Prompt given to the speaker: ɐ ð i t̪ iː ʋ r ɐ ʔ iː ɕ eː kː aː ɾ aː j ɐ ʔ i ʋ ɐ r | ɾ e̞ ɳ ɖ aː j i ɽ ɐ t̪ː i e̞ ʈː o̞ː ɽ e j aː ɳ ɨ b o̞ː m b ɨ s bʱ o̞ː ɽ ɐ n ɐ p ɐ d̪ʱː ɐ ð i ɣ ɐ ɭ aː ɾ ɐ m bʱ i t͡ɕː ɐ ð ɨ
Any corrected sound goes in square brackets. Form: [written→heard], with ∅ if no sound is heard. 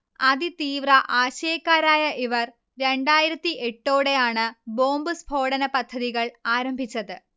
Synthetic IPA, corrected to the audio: ɐ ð i t̪ iː ʋ r ɐ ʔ [iː→aː] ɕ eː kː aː ɾ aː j ɐ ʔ i ʋ ɐ r | ɾ e̞ ɳ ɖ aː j i [ɽ→ɾ] ɐ t̪ː i e̞ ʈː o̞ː ɽ e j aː ɳ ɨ b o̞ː m b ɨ s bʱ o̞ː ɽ ɐ n ɐ p ɐ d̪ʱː ɐ ð i ɣ ɐ ɭ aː ɾ ɐ m bʱ i t͡ɕː ɐ ð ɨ